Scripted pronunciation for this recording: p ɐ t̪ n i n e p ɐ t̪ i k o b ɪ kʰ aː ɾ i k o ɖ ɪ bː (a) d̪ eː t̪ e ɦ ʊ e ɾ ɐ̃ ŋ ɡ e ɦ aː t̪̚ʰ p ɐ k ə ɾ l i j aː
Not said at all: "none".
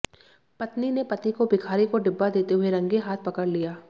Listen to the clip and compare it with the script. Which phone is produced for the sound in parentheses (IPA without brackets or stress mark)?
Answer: a